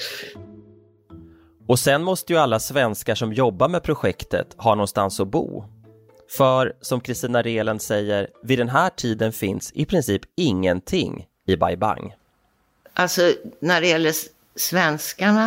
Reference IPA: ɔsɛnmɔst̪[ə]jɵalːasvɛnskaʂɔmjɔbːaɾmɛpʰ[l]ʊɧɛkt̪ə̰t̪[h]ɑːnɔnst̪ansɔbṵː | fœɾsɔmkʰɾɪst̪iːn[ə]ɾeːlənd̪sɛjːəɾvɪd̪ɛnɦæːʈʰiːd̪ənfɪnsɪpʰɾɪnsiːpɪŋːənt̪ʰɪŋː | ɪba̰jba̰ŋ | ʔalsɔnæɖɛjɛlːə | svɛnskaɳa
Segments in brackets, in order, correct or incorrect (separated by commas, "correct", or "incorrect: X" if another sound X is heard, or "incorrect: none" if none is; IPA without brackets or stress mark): correct, incorrect: ɾ, correct, incorrect: a